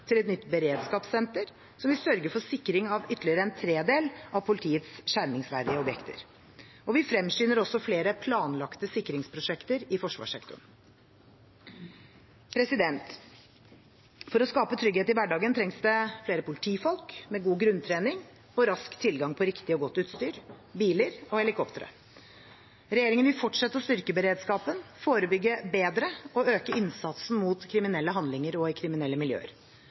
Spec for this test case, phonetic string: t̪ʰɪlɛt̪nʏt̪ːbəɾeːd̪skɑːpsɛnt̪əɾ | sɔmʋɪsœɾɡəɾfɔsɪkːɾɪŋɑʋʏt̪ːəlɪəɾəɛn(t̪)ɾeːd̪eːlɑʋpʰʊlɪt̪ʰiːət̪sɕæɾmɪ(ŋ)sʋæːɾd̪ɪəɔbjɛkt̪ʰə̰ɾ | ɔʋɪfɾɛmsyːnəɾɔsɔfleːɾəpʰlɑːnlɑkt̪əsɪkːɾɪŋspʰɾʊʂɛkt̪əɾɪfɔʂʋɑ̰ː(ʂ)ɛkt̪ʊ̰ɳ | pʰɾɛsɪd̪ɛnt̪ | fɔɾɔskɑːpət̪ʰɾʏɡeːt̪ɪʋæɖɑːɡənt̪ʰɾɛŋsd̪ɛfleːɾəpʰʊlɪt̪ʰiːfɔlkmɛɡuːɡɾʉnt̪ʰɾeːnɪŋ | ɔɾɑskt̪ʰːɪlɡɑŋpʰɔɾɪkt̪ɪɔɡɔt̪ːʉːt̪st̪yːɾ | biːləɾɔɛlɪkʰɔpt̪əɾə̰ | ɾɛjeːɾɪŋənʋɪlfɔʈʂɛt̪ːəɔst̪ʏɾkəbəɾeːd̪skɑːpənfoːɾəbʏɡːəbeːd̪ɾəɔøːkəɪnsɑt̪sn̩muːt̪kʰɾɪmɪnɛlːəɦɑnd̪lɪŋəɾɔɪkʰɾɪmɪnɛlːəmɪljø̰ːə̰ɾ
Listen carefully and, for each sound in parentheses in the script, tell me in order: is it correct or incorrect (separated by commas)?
incorrect, correct, correct